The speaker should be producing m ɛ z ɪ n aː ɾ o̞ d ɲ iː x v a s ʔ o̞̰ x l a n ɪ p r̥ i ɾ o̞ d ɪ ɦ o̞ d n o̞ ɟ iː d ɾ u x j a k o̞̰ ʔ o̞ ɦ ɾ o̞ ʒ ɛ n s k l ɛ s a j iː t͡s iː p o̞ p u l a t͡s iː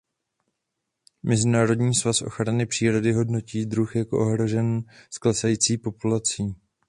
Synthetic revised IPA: m ɛ z ɪ n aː ɾ o̞ d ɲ iː s v a s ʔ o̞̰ x ɾ a n ɪ p r̥ iː ɾ o̞ d ɪ ɦ o̞ d n o̞ c iː d ɾ u x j a k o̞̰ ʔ o̞ ɦ ɾ o̞ ʒ ɛ n s k l ɛ s a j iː t͡s iː p o̞ p u l a t͡s iː